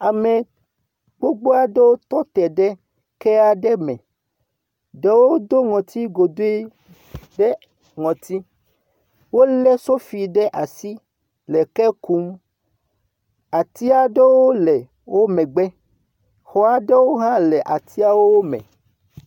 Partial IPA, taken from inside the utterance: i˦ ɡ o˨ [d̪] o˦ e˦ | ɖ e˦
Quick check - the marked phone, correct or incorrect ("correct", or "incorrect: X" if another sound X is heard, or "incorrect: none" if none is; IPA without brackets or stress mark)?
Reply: correct